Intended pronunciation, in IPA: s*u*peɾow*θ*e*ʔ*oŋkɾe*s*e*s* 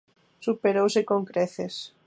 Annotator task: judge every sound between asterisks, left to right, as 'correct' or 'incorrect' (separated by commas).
correct, incorrect, incorrect, incorrect, correct